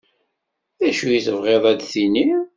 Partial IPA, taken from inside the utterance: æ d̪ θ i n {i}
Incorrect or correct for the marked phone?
correct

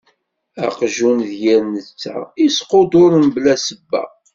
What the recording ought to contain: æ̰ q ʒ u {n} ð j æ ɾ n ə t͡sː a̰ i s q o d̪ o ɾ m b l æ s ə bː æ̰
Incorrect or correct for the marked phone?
correct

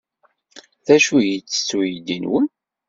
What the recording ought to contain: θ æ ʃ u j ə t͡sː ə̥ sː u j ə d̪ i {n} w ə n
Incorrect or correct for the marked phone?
correct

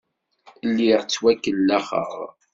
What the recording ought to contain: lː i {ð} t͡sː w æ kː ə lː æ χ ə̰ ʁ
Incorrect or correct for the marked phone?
incorrect: ʁ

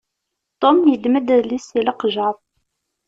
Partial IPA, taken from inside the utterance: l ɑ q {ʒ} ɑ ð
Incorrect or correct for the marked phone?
correct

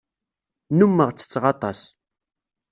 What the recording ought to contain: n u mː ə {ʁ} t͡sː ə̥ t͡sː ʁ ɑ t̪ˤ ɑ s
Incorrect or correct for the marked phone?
correct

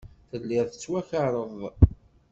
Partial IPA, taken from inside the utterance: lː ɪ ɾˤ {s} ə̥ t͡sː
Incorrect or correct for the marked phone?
incorrect: θ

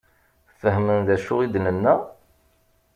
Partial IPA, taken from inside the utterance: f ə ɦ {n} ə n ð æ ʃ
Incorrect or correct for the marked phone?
incorrect: m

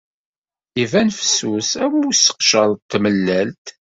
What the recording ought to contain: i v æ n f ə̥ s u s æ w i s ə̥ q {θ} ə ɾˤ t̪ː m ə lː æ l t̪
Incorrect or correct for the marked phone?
incorrect: ʃ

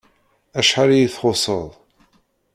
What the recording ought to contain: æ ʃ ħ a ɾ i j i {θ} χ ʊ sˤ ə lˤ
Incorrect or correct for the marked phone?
correct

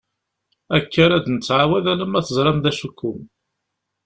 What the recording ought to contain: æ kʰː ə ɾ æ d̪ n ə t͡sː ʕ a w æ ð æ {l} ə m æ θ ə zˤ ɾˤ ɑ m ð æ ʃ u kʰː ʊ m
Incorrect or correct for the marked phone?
correct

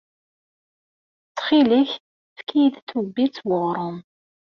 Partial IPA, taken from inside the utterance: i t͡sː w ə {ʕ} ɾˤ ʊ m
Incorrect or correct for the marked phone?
incorrect: ʁ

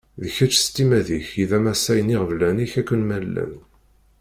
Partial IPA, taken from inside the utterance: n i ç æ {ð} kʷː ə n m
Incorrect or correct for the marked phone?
incorrect: none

